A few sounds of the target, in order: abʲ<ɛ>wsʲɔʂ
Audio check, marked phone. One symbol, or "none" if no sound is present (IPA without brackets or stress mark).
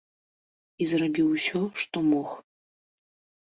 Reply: i